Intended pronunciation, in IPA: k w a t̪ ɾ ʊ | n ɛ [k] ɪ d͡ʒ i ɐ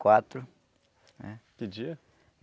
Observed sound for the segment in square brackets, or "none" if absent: k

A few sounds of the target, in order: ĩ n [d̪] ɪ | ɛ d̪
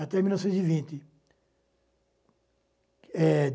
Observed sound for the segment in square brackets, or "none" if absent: t̪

